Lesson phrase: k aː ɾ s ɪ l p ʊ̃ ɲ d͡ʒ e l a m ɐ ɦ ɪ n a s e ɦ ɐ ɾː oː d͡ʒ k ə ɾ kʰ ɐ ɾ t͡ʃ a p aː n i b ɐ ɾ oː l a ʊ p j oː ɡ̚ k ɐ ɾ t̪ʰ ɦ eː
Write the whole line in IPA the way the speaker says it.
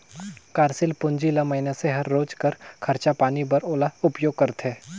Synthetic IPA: k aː ɾ s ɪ l p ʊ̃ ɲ d͡ʒ i l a m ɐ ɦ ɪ n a s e ɦ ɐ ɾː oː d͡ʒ k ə ɾ kʰ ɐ ɾ t͡ʃ a p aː n i b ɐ ɾ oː l a ʊ p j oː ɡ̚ k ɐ ɾ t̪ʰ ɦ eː